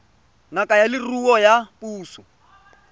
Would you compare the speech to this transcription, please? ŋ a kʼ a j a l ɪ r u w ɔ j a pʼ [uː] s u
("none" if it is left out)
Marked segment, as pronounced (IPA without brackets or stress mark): uː